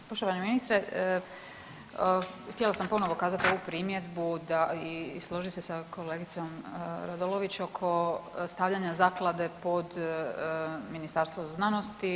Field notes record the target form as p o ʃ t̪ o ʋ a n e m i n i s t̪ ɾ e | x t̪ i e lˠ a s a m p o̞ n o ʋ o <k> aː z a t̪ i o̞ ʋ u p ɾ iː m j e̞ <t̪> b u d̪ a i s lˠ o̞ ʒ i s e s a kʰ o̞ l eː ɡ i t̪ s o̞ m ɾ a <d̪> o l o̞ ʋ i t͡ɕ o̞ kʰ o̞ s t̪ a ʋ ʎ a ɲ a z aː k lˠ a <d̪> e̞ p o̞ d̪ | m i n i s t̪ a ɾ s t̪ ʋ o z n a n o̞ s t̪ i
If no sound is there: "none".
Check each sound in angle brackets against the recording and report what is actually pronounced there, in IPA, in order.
k, d̪, d̪, d̪

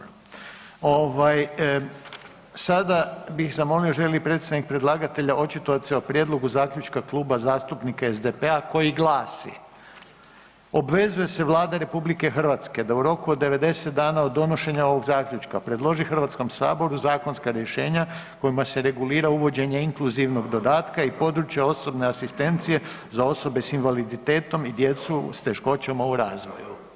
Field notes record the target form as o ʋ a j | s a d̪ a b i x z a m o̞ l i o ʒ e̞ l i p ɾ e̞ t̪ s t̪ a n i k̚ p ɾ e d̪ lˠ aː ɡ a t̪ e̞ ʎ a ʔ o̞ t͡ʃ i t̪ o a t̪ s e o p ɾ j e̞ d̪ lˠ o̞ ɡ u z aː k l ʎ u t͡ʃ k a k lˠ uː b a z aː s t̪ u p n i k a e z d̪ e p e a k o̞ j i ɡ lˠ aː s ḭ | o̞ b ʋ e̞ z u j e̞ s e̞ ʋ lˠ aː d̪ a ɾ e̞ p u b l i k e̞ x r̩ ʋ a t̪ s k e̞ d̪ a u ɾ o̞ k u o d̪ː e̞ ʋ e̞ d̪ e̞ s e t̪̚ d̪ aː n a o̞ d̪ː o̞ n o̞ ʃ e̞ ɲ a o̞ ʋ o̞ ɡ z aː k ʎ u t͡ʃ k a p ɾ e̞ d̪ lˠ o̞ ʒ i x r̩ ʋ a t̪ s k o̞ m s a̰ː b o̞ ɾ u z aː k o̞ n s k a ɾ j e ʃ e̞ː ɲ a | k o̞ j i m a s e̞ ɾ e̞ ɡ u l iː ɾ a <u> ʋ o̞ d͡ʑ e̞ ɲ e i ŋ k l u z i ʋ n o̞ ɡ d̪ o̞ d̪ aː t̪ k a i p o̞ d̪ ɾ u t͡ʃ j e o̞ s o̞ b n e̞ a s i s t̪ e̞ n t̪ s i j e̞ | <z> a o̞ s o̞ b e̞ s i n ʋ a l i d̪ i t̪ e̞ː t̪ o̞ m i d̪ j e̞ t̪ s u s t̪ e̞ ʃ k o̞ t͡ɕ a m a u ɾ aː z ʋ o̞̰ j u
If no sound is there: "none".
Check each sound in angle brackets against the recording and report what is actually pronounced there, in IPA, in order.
u, z

